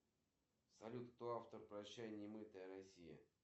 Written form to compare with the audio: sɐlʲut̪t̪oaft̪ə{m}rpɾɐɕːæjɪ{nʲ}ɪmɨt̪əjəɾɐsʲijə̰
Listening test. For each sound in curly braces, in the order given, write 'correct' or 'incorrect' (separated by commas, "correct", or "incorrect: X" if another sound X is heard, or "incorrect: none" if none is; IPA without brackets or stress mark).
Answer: incorrect: none, correct